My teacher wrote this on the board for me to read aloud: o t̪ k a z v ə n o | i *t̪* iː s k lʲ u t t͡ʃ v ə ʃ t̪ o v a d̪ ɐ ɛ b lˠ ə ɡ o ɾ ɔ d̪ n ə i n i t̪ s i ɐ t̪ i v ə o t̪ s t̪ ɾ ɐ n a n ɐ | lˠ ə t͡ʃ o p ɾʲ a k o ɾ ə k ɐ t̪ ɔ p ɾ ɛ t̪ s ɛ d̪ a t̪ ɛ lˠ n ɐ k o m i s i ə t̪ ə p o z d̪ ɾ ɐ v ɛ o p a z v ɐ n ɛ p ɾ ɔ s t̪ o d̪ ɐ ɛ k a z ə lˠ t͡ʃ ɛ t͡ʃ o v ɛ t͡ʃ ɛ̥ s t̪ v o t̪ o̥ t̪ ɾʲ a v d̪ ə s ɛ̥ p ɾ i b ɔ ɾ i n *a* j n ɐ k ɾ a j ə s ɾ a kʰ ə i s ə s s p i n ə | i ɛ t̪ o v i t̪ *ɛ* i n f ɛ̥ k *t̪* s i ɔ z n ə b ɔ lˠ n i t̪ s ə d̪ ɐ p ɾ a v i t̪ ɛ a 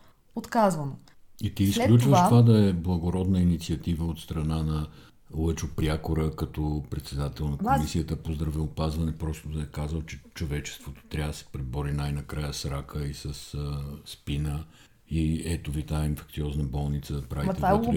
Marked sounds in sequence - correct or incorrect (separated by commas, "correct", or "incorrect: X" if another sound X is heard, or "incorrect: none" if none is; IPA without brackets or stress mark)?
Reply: correct, correct, incorrect: a, correct